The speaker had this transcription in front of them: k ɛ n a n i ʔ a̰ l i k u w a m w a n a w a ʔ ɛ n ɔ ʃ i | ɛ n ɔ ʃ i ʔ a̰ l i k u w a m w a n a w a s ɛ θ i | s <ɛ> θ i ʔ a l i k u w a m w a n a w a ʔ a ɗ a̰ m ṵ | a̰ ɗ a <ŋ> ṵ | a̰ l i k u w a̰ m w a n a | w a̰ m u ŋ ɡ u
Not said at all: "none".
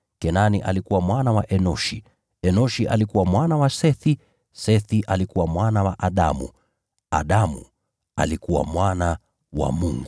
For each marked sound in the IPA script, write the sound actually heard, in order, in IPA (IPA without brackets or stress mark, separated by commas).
ɛ, m